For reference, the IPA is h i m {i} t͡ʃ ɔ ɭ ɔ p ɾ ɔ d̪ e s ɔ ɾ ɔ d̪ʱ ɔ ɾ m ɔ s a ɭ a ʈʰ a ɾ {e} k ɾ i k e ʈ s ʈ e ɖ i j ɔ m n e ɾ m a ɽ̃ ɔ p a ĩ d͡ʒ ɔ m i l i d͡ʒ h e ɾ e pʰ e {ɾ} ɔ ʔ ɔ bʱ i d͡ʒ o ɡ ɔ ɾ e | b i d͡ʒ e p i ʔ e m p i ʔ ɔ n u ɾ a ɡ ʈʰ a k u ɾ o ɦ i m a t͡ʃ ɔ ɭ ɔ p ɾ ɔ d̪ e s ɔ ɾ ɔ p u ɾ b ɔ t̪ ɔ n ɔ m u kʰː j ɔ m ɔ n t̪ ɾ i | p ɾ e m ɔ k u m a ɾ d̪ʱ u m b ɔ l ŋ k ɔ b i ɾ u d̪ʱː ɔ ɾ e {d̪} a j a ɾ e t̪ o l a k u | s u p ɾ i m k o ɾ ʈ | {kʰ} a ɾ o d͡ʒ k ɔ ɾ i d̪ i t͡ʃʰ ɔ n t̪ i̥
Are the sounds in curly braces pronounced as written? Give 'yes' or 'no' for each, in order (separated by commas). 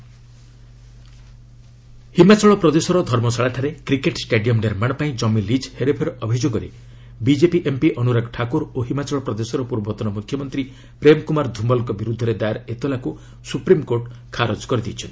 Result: no, yes, yes, yes, yes